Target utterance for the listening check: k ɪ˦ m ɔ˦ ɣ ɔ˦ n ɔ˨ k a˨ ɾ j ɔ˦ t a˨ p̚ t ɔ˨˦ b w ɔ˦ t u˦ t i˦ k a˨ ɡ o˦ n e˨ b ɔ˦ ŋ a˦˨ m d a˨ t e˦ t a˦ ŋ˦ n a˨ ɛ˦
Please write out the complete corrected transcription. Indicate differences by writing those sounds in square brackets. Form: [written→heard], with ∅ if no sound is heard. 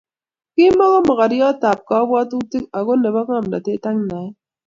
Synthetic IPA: k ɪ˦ m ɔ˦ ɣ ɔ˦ [n→m] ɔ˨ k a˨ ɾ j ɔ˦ t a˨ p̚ [t→k] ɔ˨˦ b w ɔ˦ t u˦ t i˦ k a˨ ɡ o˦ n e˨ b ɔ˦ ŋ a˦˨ m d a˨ t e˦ t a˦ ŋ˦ n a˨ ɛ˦